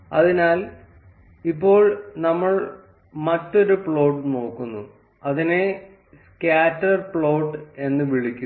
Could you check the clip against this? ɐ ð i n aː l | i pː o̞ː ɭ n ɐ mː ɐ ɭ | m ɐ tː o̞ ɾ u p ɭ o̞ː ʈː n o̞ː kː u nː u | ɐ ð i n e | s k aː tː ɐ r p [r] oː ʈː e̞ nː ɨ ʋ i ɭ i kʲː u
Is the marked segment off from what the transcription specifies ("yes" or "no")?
yes